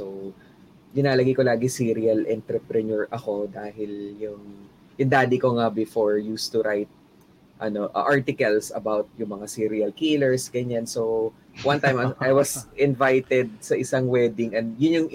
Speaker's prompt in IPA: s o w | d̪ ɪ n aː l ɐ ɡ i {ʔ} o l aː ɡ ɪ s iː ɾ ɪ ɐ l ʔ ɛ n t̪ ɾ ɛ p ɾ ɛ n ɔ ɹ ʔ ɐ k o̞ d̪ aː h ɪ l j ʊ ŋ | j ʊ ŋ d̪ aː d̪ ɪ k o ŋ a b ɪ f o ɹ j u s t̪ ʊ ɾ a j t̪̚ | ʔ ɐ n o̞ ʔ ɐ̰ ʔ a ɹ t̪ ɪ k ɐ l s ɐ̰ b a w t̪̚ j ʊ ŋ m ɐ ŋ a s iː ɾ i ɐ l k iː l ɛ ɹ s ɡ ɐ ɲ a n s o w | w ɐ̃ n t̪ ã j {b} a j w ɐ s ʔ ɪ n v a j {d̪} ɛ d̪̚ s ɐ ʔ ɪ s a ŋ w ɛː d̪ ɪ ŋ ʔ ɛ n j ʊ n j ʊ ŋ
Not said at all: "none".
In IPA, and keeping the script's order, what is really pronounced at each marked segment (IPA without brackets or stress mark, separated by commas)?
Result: k, m, t̪